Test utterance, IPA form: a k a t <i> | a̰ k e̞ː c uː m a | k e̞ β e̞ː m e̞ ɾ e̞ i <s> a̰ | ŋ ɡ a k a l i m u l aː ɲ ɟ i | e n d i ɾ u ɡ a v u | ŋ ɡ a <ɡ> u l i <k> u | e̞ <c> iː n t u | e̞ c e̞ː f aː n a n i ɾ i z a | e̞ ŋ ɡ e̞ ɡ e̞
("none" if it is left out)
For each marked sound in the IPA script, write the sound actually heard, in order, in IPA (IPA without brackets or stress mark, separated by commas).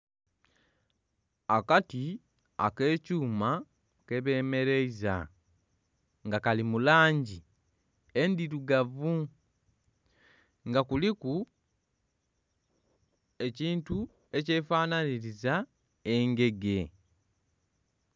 i, z, k, k, c